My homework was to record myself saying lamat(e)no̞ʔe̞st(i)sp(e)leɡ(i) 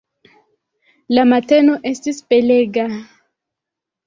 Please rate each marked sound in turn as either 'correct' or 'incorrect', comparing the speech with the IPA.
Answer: correct, correct, correct, incorrect: a

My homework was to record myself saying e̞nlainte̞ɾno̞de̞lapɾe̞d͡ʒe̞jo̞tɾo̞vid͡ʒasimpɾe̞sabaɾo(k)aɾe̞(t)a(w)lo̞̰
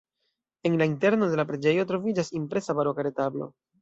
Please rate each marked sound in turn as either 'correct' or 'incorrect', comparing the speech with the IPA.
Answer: correct, correct, incorrect: b

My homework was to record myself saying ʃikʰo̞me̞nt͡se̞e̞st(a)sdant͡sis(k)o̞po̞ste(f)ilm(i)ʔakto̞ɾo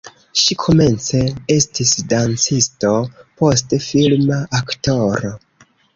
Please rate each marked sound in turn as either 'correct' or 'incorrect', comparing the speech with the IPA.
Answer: incorrect: i, incorrect: t, correct, incorrect: a

